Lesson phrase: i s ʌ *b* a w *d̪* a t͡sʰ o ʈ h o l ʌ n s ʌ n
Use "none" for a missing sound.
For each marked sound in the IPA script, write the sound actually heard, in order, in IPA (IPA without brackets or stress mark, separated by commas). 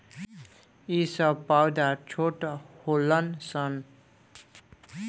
p, d̪